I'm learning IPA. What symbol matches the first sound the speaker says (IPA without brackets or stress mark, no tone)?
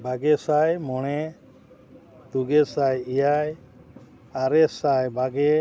b